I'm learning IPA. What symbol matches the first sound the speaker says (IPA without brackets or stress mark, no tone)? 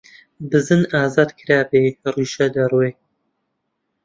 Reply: b